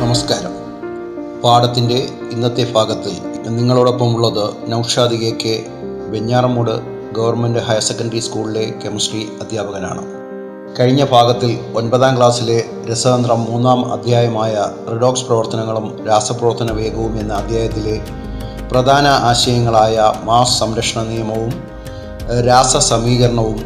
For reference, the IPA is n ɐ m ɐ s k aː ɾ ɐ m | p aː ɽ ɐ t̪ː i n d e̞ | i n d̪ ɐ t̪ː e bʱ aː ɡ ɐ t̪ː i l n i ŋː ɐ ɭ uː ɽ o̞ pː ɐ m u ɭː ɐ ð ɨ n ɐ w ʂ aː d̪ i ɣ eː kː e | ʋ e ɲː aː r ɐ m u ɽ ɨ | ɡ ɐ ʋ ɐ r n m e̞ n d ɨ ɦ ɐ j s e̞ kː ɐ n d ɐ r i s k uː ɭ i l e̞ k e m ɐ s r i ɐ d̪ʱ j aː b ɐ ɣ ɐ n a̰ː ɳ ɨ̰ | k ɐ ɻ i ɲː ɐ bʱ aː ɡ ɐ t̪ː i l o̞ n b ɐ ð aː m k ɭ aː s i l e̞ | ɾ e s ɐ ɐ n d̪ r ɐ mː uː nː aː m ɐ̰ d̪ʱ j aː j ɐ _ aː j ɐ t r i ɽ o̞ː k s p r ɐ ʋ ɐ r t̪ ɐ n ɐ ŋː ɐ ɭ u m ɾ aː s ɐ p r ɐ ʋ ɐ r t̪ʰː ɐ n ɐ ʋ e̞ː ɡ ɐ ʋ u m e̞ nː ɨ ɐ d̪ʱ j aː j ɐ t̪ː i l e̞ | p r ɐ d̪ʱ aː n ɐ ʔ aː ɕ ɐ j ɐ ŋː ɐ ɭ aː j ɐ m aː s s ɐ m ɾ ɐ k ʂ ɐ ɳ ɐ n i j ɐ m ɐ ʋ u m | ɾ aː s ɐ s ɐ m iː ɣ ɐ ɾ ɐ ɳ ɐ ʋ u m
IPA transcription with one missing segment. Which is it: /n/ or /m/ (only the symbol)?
m